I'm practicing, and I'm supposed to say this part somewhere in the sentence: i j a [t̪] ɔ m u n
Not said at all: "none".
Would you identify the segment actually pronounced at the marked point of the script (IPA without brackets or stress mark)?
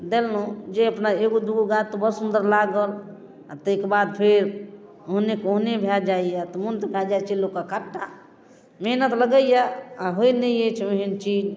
t̪